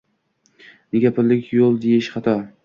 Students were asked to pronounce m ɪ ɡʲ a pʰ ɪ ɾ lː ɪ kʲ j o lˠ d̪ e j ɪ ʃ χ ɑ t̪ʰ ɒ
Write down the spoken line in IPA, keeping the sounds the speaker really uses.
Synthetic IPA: n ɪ ɡʲ a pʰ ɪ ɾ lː ɪ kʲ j o lˠ d̪ e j ɪ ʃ χ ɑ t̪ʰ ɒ